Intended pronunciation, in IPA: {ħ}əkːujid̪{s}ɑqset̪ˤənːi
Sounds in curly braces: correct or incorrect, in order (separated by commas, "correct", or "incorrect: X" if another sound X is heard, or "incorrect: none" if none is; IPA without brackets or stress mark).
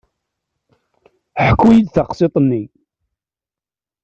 correct, incorrect: θ